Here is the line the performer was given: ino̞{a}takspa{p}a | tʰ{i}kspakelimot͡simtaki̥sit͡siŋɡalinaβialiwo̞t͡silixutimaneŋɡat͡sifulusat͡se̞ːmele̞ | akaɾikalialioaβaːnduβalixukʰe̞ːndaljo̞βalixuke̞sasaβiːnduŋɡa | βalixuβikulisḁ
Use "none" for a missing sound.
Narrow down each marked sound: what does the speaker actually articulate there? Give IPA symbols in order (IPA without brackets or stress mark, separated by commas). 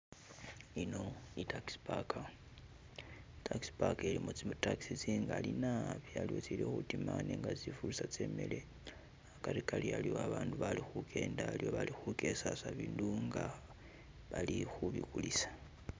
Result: i, k, a